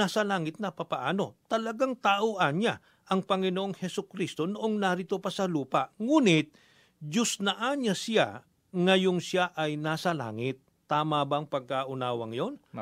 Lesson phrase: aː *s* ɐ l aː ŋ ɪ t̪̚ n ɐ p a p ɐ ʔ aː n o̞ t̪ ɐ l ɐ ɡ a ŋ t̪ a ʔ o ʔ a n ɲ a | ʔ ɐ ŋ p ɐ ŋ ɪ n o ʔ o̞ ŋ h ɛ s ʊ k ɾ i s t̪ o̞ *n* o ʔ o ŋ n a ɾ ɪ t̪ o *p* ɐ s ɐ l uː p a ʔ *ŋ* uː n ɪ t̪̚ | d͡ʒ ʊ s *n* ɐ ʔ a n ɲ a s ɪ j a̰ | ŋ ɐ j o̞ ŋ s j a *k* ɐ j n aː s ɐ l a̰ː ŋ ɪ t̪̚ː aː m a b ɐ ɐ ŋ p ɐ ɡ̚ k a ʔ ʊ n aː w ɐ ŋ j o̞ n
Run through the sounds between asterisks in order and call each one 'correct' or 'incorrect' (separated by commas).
correct, correct, correct, correct, correct, incorrect